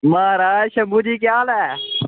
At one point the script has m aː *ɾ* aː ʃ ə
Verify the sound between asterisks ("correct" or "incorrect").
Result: correct